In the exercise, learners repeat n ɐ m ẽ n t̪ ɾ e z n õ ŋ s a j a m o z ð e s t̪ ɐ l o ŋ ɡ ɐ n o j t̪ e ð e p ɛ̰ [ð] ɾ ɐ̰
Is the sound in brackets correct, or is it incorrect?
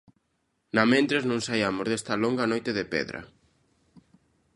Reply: correct